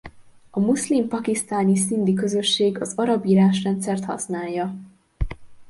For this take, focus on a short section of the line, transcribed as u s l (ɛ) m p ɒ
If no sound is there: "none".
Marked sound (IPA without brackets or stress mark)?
i